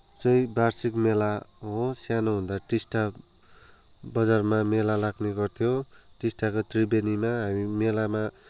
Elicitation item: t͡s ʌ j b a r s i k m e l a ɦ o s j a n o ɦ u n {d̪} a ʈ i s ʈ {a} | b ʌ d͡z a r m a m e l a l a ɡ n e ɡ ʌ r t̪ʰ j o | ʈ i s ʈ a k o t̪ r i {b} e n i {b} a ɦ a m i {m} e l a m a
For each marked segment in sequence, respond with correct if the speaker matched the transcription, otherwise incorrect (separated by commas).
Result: correct, correct, correct, incorrect, correct